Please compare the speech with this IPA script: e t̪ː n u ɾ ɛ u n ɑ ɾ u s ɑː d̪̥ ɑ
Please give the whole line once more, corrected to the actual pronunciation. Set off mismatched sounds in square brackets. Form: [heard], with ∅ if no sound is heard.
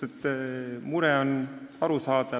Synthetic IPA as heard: e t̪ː [m] u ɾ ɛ [o] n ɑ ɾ u s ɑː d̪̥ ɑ